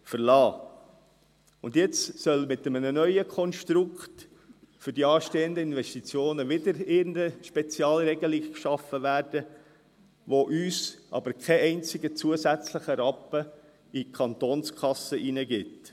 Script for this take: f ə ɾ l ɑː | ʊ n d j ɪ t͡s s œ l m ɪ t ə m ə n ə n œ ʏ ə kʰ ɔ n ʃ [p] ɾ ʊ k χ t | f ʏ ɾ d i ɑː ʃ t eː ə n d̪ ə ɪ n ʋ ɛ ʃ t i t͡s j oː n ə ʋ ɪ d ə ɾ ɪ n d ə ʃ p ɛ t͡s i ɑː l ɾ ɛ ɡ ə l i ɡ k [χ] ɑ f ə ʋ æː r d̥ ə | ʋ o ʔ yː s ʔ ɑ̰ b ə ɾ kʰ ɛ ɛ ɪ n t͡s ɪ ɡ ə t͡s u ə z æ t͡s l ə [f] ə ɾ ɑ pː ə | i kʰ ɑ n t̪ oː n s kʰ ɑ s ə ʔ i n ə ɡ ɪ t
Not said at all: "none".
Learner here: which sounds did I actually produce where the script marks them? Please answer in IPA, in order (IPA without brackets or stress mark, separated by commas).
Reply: t, ʃ, χ